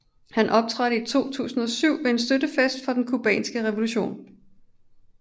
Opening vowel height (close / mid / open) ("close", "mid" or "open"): open